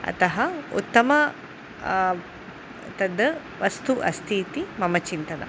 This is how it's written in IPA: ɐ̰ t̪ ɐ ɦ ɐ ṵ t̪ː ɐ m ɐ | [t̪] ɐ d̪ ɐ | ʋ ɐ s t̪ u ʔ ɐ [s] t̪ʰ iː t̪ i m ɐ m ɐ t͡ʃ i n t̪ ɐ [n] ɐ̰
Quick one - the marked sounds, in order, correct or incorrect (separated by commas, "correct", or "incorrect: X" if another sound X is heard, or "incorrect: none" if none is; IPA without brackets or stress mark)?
correct, correct, correct